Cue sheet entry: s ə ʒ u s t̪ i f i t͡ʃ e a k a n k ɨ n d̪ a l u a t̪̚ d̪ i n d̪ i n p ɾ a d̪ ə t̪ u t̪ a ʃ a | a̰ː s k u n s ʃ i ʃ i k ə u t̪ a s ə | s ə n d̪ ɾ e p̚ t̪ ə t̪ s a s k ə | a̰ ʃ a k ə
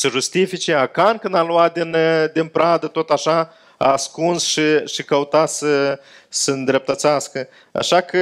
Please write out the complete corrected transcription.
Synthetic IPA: s ə ʒ u s t̪ i f i t͡ʃ e a k a n k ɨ n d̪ a l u a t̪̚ d̪ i n d̪ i n p ɾ a d̪ ə t̪ o t̪ a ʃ a | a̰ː s k u n s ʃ i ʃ i k ə u t̪ a s ə | s ə n d̪ ɾ e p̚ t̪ ə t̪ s a s k ə | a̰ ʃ a k ə